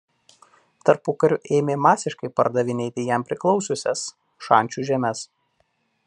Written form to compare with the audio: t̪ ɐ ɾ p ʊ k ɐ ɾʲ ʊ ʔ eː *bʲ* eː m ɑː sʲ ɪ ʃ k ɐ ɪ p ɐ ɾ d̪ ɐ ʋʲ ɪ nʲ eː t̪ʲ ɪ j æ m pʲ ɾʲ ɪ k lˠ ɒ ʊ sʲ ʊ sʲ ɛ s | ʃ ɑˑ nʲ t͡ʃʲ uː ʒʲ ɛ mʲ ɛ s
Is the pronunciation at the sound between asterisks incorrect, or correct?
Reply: incorrect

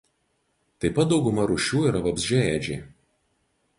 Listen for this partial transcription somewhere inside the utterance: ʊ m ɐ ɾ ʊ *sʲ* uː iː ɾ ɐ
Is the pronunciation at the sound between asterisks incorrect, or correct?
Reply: incorrect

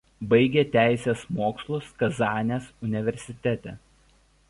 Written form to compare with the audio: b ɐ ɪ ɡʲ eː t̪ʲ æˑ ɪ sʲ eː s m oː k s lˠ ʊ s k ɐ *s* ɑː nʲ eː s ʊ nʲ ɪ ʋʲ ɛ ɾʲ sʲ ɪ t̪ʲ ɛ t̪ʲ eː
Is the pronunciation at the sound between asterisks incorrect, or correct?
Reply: incorrect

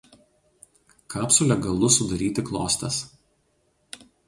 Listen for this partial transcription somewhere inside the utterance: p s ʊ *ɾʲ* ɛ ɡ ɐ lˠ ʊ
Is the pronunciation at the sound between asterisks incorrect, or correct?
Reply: incorrect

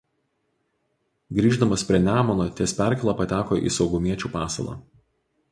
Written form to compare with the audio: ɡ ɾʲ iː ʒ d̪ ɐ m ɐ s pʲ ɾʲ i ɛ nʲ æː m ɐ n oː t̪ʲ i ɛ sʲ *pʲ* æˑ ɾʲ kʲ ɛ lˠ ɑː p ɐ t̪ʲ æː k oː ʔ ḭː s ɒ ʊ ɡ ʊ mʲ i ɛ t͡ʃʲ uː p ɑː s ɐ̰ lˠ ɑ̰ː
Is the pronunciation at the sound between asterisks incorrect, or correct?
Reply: correct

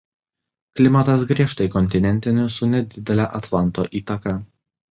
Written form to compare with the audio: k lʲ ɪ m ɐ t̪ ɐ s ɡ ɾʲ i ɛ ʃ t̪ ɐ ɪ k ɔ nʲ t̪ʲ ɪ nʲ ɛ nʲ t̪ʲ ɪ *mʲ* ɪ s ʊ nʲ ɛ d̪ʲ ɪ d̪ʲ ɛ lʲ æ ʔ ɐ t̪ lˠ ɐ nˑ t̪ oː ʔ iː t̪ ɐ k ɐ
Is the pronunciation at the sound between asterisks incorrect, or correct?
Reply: incorrect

